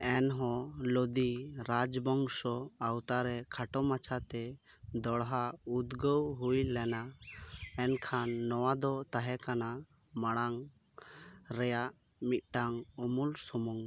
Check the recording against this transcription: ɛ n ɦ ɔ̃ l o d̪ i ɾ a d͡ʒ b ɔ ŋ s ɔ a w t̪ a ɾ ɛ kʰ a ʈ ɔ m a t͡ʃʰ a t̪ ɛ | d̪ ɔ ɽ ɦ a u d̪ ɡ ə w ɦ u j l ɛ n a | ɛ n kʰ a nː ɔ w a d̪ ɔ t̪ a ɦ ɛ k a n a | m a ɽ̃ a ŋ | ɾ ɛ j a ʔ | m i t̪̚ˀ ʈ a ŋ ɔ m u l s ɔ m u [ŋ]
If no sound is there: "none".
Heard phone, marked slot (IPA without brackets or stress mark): ŋ